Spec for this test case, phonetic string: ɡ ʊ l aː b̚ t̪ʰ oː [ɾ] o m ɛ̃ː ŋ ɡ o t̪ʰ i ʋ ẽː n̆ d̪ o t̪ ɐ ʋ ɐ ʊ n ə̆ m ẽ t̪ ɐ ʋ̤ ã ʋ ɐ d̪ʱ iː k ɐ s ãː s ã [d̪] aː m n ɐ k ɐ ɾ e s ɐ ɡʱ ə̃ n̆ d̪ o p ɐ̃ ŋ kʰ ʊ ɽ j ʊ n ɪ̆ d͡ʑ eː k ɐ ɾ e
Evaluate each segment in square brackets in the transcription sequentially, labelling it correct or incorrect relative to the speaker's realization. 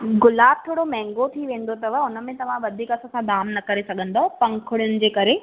incorrect: ɽ, correct

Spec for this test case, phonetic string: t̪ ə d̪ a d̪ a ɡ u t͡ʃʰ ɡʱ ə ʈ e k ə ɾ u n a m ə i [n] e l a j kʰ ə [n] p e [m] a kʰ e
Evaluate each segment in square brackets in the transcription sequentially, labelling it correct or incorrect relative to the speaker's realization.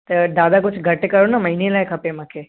correct, incorrect: none, correct

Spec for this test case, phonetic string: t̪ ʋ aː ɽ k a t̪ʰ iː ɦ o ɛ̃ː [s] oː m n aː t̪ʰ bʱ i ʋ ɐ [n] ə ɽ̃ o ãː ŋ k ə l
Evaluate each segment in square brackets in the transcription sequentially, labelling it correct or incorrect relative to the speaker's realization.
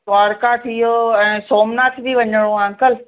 correct, incorrect: ɲ

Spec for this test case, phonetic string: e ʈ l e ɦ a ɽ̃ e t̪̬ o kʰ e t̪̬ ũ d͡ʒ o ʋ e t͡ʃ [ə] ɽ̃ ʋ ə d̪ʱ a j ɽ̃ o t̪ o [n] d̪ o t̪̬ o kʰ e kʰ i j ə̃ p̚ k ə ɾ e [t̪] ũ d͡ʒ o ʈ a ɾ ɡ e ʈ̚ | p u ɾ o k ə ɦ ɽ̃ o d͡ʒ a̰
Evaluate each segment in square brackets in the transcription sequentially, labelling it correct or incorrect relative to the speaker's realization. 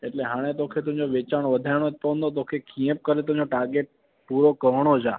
incorrect: a, correct, correct

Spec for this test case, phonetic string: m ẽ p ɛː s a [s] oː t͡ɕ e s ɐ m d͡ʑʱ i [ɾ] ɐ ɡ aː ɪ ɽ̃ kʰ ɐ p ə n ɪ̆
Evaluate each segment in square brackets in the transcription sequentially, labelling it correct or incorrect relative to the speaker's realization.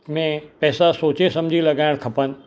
correct, incorrect: l

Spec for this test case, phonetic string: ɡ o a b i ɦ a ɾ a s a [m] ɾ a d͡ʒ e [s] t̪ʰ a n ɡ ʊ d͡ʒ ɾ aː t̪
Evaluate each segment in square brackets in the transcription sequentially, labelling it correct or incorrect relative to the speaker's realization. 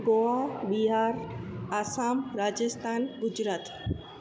correct, correct

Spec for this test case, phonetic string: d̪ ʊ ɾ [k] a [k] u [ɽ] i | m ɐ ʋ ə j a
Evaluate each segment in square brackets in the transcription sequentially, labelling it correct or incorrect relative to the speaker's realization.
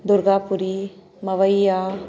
incorrect: ɡ, incorrect: p, incorrect: ɾ

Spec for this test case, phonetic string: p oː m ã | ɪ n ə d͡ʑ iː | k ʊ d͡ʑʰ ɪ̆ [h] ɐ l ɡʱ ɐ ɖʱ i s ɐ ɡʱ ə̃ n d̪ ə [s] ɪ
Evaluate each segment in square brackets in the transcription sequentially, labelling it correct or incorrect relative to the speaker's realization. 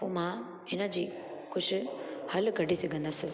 correct, correct

